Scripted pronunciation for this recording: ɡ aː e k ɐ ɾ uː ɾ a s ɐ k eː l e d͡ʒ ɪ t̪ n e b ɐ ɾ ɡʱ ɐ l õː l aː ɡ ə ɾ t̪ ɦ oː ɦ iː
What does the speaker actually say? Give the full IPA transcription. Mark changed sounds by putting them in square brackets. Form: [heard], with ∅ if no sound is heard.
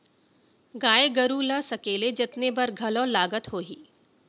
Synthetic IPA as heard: ɡ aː e [ɡ] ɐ ɾ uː [l] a s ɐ k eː l e d͡ʒ ɪ t̪ n e b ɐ ɾ ɡʱ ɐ l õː l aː ɡ ə [∅] t̪ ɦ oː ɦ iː

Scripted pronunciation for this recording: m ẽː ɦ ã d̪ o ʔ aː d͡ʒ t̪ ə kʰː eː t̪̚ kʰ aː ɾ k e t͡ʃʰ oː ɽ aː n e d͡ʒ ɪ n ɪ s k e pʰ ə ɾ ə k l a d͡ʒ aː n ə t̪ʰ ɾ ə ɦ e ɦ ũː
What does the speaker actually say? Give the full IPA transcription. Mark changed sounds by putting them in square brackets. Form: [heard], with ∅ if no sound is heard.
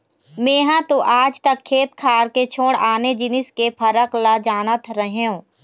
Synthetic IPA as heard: m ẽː ɦ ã [t̪] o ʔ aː d͡ʒ t̪ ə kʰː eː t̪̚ kʰ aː ɾ k e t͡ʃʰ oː ɽ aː n e d͡ʒ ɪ n ɪ s k e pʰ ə ɾ ə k l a d͡ʒ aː n ə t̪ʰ ɾ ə ɦ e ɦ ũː

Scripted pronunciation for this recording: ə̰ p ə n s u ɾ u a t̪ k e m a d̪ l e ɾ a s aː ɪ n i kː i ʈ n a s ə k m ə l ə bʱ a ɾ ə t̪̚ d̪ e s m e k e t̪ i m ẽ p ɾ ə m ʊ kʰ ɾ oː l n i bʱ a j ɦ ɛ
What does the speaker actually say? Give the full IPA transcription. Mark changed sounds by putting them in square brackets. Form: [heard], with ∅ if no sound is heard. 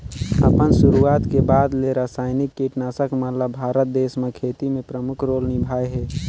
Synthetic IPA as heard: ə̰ p ə n s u ɾ u a t̪ k e [b] a d̪ l e ɾ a s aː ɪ n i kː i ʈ n a s ə k m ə l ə bʱ a ɾ ə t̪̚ d̪ e s m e [kʰ] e t̪ i m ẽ p ɾ ə m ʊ kʰ ɾ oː l n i bʱ a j ɦ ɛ

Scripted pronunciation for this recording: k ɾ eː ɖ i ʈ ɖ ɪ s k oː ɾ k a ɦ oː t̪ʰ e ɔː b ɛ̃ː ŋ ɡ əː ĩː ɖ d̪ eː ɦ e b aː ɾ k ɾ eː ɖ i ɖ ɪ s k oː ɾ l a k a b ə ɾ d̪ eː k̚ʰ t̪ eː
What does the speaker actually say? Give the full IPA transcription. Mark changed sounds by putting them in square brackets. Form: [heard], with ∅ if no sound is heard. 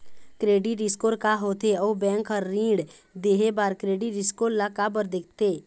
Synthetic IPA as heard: k ɾ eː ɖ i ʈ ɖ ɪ s k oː ɾ k a ɦ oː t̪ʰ e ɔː b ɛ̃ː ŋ [k] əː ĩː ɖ d̪ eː ɦ e b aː ɾ k ɾ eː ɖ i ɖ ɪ s k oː ɾ l a k a b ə ɾ d̪ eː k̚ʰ t̪ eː

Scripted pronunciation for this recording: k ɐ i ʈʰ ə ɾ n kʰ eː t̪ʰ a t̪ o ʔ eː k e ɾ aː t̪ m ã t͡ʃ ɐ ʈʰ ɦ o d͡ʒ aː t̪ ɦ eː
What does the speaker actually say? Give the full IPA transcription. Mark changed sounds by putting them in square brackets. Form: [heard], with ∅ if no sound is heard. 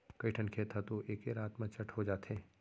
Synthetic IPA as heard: k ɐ i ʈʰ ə [∅] n kʰ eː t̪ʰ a t̪ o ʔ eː k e ɾ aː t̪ m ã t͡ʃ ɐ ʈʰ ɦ o d͡ʒ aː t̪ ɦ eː

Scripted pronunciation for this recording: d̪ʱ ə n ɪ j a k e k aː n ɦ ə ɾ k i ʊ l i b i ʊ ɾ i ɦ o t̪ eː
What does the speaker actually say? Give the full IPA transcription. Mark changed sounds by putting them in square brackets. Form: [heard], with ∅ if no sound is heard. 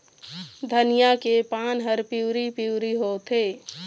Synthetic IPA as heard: d̪ʱ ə n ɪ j a k e [p] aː n ɦ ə ɾ [p] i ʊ [ɾ] i [p] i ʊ ɾ i ɦ o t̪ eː

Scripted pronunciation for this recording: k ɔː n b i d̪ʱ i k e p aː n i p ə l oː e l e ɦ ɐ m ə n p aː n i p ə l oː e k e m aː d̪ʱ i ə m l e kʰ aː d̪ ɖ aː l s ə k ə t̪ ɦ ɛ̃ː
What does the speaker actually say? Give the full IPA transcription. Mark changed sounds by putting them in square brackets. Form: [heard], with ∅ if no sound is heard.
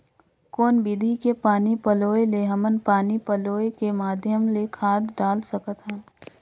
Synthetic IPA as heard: k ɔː n b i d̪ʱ i k e p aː n i p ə l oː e l e ɦ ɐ m ə n p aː n i p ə l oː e k e m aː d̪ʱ [j] ə m l e kʰ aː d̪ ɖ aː l s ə k ə t̪ ɦ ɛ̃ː

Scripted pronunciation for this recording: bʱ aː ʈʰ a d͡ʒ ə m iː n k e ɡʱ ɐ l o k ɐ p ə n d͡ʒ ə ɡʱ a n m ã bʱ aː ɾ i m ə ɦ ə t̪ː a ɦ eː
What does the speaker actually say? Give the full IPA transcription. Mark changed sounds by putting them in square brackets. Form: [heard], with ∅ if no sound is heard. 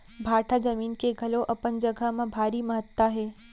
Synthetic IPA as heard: bʱ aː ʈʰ a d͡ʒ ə m iː n k e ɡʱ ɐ l o [ʔ] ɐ p ə n d͡ʒ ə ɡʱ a [∅] m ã bʱ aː ɾ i m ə ɦ ə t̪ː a ɦ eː

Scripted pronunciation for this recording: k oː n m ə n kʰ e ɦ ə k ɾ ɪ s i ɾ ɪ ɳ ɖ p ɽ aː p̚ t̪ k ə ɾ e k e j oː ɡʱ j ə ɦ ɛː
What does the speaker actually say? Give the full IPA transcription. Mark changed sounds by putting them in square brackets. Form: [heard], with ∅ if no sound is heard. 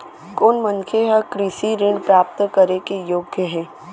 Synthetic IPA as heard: k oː n m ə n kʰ e ɦ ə k ɾ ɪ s i ɾ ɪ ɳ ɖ p [ɾ] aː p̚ t̪ k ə ɾ e k e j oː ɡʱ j ə ɦ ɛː

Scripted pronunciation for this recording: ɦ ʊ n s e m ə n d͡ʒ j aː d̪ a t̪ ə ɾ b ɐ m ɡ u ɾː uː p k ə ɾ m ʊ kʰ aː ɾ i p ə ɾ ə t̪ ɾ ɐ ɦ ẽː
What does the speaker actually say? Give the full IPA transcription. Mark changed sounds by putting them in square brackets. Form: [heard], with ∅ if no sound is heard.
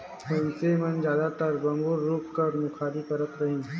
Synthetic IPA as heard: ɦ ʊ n s e m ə n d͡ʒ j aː d̪ a t̪ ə ɾ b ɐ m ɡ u ɾː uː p k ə ɾ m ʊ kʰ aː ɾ i p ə ɾ ə t̪ ɾ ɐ ɦ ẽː

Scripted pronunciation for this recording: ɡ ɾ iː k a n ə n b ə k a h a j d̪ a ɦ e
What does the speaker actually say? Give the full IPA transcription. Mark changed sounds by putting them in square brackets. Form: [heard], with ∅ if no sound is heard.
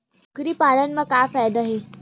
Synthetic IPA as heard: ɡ ɾ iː [p] a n ə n [m] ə k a [f] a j d̪ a ɦ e

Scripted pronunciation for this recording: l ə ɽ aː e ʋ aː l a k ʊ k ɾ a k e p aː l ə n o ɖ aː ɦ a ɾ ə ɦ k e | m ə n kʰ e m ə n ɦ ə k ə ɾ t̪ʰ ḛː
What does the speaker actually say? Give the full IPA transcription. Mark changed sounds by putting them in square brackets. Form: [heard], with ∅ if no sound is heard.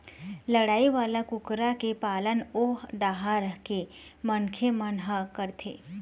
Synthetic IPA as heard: l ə ɽ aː [i] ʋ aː l a k ʊ k ɾ a k e p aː l ə n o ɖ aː ɦ a ɾ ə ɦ k e | m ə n kʰ e m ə n ɦ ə k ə ɾ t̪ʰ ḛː

